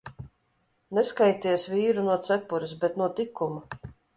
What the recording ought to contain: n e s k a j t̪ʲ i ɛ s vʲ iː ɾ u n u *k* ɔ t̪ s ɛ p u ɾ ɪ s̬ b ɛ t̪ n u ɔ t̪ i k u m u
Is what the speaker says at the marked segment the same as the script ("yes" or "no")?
no